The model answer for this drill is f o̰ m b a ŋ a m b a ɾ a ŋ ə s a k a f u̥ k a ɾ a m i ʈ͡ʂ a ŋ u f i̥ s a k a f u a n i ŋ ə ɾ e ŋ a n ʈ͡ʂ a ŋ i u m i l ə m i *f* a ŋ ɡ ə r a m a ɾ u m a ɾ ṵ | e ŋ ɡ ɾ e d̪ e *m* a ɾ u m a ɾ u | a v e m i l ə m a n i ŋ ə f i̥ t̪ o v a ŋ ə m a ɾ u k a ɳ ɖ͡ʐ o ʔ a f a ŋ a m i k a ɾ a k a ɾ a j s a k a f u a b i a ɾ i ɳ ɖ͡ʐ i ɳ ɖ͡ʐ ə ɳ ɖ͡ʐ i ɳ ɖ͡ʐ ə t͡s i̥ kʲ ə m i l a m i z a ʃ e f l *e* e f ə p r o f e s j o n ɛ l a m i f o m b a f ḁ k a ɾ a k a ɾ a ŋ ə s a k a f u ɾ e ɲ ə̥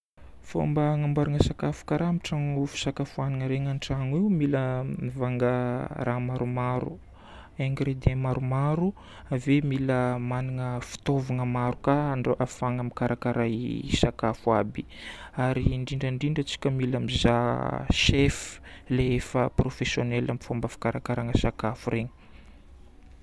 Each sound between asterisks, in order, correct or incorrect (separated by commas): incorrect, correct, correct